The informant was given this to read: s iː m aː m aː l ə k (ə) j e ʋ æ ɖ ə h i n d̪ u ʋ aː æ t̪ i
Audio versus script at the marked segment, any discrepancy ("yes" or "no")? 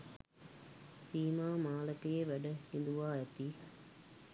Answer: no